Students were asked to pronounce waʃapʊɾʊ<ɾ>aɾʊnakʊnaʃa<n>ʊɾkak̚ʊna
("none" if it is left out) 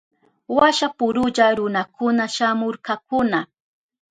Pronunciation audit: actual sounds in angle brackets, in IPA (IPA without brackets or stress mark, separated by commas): ʎ, m